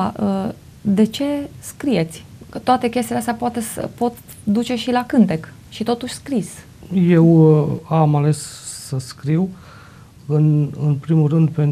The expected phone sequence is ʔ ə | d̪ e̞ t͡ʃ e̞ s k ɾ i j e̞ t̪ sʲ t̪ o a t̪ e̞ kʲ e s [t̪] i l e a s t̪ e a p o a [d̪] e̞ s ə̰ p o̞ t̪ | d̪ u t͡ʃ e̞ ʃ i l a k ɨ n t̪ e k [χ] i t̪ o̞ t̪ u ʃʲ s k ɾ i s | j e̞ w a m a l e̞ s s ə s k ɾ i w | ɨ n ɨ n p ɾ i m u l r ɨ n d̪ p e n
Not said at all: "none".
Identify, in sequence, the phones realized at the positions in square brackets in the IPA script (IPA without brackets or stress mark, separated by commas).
t̪, t̪, ʃ